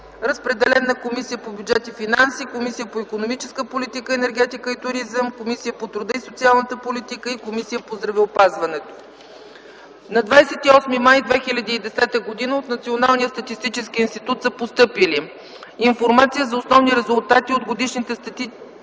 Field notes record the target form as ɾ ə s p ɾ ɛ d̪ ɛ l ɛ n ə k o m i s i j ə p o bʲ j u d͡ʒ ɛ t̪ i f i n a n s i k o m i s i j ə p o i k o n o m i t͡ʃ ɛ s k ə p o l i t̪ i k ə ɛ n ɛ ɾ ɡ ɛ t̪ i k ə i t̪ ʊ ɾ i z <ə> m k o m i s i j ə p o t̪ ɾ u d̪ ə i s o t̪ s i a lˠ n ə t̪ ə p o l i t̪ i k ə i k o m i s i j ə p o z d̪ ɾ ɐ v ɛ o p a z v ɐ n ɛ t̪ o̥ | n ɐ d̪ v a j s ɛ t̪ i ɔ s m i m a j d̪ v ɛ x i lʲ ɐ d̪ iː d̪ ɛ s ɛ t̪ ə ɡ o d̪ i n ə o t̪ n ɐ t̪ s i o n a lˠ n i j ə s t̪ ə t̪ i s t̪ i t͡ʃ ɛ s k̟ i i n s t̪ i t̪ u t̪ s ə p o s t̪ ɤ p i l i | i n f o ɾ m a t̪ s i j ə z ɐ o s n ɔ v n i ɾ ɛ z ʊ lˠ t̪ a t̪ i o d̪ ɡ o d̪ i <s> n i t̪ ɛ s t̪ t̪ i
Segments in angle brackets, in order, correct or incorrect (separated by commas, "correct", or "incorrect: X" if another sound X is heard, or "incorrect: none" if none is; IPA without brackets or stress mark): correct, incorrect: ʃ